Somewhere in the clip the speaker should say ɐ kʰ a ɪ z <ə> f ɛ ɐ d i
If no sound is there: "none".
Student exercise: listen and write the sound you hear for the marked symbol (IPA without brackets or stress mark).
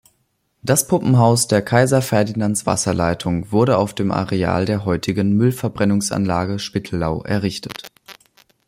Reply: ɐ